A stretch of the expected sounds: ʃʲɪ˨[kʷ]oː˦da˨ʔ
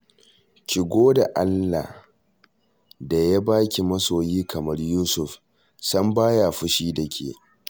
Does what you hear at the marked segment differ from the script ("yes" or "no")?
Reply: yes